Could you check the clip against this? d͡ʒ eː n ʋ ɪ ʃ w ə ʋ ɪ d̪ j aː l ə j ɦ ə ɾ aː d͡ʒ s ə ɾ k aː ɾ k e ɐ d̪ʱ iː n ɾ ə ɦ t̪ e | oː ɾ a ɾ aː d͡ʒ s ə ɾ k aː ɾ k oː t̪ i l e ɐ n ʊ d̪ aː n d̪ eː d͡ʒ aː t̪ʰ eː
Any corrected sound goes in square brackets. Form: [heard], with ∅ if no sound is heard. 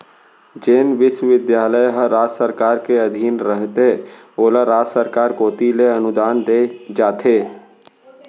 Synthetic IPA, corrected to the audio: d͡ʒ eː n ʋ ɪ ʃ w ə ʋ ɪ d̪ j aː l ə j ɦ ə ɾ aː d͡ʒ s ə ɾ k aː ɾ k e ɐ d̪ʱ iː n ɾ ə ɦ t̪ e | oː [l] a ɾ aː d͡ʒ s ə ɾ k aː ɾ k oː t̪ i l e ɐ n ʊ d̪ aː n d̪ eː d͡ʒ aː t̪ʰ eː